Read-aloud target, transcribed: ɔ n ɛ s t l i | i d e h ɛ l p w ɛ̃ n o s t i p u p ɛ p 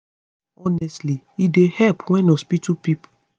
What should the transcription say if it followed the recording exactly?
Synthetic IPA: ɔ n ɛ s t l i | i d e h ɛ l p w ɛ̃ n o s p i t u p i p